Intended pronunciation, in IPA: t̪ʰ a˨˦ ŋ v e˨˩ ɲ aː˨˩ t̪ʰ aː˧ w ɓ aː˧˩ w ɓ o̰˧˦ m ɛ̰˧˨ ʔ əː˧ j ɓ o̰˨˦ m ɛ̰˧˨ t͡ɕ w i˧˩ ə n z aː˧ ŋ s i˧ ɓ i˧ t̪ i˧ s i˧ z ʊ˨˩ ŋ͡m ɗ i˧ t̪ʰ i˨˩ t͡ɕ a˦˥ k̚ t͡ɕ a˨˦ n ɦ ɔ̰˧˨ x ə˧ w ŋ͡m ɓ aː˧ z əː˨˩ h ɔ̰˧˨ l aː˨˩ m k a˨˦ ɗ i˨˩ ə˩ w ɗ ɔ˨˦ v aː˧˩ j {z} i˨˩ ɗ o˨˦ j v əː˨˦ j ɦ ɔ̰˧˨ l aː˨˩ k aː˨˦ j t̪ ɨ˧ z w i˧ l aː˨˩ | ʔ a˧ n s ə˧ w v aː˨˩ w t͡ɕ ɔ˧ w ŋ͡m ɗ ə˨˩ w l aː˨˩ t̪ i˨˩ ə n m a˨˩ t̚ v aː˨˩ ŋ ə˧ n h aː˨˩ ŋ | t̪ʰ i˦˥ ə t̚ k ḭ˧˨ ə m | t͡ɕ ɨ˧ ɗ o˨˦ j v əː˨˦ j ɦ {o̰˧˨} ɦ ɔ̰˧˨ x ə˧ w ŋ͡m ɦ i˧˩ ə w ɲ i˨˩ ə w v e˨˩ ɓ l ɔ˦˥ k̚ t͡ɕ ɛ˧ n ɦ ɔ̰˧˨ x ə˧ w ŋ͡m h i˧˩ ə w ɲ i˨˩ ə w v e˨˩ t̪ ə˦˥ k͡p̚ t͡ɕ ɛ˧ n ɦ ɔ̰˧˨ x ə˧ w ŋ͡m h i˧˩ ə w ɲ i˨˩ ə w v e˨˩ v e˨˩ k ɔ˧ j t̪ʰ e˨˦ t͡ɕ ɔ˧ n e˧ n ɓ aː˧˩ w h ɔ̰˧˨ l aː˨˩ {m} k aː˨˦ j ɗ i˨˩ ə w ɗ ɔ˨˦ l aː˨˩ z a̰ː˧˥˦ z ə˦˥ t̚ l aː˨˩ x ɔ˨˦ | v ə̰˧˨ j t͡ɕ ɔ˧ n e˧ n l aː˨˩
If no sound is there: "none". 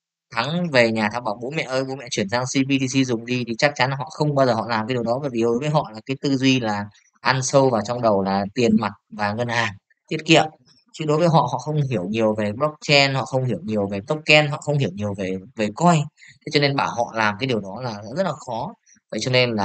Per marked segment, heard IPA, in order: v, ɔ̰˧˨, m

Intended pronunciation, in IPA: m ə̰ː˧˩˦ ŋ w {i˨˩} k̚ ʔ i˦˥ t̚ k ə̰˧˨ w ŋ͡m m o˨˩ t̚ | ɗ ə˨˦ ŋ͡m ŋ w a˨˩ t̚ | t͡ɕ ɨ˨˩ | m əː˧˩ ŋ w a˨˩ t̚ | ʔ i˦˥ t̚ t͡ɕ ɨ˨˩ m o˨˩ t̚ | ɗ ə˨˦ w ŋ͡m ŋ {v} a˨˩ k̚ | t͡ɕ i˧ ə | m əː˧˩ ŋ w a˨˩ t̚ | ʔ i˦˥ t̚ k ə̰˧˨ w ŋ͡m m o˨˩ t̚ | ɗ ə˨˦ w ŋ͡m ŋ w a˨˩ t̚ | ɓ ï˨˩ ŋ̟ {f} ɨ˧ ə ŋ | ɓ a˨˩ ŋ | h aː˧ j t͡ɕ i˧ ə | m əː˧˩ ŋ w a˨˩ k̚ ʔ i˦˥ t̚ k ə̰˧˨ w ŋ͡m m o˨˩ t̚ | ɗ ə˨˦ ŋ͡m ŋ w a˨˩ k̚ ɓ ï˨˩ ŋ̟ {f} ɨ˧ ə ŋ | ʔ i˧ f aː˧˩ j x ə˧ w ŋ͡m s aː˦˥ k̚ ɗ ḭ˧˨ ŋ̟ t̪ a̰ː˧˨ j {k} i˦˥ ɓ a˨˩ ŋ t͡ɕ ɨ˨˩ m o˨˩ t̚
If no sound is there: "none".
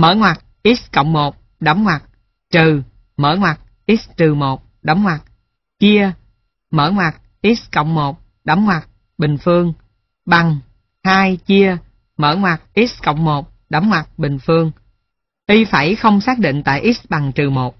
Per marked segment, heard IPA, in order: a˨˩, w, f, f, ʔ

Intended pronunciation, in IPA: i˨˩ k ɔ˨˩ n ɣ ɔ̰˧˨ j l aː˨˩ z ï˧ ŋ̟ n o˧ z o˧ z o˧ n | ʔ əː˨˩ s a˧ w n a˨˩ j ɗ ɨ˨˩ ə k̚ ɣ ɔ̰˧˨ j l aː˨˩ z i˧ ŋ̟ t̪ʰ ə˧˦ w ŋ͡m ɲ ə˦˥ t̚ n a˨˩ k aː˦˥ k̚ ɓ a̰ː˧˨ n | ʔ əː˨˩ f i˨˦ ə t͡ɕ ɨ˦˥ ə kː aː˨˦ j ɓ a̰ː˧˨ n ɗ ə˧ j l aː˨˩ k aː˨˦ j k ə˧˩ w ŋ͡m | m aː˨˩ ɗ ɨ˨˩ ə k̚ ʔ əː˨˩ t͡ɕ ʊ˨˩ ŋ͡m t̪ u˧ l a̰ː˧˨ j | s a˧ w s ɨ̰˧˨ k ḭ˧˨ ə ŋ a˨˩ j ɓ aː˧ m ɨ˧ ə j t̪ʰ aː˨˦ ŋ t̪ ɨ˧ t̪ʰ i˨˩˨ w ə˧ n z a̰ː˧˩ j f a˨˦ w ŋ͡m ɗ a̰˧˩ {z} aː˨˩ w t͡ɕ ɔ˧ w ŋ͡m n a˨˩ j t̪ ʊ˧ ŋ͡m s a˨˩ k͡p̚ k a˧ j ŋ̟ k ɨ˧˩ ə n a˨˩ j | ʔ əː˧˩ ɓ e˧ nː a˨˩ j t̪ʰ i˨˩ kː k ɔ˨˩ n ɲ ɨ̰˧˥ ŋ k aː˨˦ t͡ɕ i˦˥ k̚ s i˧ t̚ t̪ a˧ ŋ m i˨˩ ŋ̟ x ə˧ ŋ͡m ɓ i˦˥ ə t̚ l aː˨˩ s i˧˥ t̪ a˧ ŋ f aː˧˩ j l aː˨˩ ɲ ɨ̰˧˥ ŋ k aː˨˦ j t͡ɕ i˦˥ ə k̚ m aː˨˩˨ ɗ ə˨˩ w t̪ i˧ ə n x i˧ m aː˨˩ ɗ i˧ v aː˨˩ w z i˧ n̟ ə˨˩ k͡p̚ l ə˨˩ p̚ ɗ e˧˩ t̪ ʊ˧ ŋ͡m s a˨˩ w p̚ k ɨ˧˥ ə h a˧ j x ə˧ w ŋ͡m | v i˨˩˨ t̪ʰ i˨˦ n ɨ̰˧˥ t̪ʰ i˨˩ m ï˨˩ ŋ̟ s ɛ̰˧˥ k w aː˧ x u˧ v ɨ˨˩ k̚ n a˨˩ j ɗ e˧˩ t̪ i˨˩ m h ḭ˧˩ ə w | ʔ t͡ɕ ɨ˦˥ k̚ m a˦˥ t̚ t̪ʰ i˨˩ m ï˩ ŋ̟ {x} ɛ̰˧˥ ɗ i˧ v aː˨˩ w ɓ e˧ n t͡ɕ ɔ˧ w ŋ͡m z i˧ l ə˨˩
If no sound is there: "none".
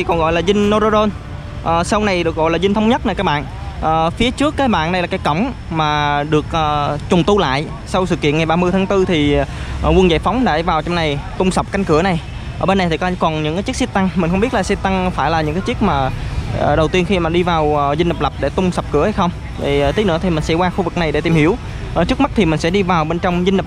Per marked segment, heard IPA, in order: v, s

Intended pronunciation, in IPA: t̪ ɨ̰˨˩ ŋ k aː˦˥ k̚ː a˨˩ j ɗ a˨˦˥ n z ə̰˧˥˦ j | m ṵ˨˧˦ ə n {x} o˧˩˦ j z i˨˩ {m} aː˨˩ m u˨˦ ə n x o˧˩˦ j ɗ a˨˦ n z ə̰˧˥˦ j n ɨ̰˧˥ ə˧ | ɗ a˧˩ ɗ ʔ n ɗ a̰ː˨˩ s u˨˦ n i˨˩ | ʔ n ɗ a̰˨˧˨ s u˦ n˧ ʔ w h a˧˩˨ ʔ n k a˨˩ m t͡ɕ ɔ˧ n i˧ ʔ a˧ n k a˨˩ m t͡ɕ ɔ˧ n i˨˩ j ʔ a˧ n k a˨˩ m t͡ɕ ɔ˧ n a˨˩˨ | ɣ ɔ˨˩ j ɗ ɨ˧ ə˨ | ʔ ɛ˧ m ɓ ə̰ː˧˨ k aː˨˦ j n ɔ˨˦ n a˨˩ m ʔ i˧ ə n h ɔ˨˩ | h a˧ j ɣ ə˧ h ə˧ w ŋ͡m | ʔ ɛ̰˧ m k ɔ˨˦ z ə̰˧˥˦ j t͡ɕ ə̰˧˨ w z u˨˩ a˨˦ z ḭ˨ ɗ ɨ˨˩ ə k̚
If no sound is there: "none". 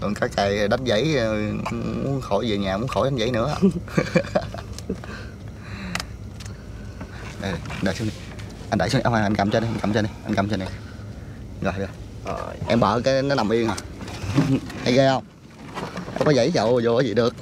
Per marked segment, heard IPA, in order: x, ɲ

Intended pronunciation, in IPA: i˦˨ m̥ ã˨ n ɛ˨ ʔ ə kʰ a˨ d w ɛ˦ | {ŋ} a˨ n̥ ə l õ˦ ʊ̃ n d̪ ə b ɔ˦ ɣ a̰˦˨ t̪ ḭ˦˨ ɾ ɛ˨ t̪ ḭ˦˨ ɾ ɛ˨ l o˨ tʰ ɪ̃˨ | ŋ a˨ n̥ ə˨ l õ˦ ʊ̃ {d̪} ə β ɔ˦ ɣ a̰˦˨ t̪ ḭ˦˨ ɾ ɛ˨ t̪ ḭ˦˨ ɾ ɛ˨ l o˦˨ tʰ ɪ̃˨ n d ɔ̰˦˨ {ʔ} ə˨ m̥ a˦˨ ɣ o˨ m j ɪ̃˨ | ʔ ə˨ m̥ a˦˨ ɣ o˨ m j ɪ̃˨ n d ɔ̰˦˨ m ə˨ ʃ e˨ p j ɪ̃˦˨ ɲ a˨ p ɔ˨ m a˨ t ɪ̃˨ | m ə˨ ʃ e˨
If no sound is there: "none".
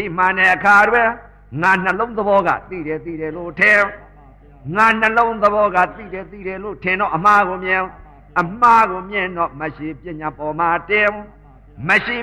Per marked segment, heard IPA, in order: ŋ, d̪, ʔ

